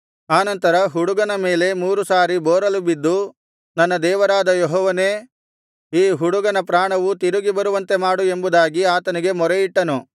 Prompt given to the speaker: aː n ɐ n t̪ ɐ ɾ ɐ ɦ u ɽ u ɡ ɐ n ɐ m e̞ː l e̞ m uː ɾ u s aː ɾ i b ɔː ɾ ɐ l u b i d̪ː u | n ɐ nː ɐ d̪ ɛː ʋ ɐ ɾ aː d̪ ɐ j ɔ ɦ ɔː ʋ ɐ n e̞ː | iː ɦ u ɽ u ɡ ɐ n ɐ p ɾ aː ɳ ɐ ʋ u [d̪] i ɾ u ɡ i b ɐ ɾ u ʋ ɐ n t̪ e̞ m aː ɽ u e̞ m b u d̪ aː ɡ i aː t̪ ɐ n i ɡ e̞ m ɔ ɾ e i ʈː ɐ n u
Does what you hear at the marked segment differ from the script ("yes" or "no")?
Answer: yes